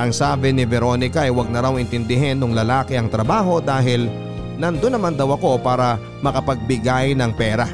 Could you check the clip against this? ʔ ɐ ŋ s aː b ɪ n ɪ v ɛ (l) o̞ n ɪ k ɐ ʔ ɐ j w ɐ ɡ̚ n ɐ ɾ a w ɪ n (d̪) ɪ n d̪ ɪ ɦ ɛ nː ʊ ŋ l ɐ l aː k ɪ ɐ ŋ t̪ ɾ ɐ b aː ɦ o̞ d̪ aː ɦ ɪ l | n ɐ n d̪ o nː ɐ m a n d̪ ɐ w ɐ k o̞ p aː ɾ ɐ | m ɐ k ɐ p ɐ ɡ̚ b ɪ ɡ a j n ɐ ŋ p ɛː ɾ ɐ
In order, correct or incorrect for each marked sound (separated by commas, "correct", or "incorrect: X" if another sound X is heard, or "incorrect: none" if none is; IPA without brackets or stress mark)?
incorrect: ɾ, incorrect: t̪